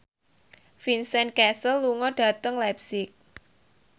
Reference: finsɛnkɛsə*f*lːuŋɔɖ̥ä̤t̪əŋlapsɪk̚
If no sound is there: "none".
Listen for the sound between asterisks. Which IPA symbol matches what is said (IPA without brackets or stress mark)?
none